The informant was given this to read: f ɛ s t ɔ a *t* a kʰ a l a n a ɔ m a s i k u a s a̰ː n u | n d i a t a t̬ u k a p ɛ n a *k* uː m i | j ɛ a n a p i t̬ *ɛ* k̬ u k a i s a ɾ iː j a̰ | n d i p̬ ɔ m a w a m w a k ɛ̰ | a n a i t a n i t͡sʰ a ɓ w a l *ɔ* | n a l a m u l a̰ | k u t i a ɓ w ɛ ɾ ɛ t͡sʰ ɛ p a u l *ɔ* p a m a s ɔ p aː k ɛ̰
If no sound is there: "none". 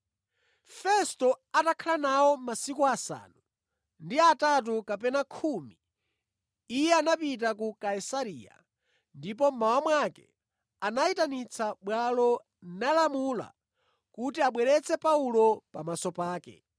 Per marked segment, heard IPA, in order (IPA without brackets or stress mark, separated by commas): t, kʰ, a, ɔ, ɔ